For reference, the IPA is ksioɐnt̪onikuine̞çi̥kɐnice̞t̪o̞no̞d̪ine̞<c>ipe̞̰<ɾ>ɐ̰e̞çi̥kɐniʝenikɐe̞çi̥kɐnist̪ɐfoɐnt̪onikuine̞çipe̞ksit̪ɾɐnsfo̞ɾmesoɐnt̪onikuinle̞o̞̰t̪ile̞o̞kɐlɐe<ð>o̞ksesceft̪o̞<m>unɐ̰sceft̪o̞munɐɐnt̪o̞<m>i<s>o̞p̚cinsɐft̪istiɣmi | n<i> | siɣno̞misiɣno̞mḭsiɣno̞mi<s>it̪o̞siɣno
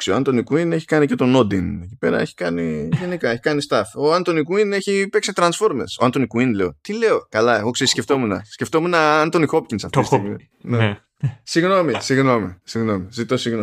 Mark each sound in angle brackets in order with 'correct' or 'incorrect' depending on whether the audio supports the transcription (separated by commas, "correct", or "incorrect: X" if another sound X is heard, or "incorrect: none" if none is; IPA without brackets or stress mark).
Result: correct, correct, incorrect: ɣ, correct, incorrect: n, incorrect: x, incorrect: e, incorrect: z